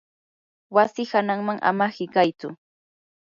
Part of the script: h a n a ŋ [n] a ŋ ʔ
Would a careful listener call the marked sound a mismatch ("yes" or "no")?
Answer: yes